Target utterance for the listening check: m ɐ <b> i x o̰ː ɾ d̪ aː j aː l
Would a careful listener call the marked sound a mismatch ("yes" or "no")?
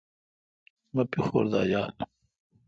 yes